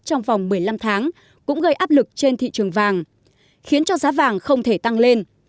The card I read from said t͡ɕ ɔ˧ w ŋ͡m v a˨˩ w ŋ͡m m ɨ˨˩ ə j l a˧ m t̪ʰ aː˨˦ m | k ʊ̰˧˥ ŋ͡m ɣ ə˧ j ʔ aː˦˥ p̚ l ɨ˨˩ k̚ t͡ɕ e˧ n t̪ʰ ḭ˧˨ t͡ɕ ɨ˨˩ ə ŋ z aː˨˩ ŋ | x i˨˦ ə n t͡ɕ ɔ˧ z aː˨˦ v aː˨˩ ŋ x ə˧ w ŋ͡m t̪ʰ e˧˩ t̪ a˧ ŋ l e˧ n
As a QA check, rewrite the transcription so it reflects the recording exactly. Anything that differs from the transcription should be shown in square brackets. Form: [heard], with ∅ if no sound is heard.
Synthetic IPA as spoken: t͡ɕ ɔ˧ w ŋ͡m v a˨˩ w ŋ͡m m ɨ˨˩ ə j l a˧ m t̪ʰ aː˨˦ [ŋ] | k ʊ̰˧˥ ŋ͡m ɣ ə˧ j ʔ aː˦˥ p̚ l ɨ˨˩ k̚ t͡ɕ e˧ n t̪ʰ ḭ˧˨ t͡ɕ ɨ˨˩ ə ŋ [v] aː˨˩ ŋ | x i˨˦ ə n t͡ɕ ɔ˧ z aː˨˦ v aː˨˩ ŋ x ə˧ w ŋ͡m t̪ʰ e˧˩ t̪ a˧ ŋ l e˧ n